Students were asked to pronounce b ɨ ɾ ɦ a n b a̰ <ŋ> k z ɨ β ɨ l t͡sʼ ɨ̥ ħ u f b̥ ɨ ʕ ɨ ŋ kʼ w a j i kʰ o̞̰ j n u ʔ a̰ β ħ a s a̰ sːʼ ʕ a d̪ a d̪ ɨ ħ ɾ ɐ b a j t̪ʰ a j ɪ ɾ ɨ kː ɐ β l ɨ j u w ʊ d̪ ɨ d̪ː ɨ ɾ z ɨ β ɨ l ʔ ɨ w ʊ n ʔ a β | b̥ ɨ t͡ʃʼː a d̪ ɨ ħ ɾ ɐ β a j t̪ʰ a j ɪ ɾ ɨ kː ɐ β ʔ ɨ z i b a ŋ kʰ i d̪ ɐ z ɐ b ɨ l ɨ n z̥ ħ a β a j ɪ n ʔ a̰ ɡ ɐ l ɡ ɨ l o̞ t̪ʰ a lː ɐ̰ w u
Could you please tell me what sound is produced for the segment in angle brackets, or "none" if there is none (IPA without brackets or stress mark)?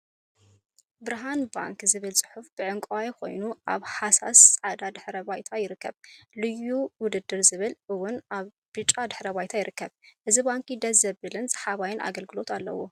ŋ